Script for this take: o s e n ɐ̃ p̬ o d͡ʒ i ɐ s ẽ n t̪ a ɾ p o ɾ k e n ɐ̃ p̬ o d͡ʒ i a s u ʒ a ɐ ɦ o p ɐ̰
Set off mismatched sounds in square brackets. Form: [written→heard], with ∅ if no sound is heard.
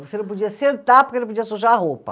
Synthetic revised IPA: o s e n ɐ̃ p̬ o d͡ʒ i ɐ s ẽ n t̪ a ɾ p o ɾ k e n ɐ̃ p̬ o d͡ʒ i [a→ɐ] s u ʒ a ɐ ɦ o p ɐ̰